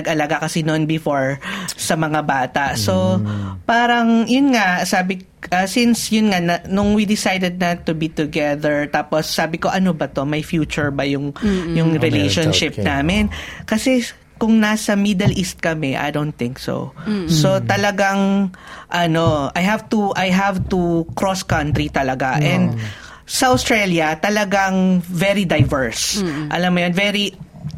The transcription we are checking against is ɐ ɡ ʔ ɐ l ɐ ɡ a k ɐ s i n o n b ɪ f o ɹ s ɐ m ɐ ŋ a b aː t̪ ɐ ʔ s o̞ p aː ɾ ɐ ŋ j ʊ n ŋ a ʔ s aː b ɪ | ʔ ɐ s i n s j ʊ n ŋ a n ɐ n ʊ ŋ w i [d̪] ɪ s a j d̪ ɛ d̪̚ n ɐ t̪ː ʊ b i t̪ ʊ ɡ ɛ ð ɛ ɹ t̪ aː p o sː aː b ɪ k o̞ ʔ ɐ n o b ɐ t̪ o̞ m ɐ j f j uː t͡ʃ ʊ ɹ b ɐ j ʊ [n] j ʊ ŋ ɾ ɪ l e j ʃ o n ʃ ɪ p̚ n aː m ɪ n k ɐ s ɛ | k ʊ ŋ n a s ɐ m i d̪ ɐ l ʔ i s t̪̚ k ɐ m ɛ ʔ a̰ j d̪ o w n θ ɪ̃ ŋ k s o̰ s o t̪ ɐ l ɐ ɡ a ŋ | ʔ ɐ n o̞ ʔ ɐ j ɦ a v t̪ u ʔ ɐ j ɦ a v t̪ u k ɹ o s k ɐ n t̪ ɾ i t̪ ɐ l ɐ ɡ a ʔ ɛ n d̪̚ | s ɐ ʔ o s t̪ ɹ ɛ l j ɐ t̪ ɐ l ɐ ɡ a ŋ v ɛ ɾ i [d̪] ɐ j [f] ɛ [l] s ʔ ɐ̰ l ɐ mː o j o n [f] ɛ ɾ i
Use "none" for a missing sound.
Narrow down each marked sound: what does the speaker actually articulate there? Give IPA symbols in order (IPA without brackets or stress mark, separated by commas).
d̪, ŋ, d̪, v, ɹ, v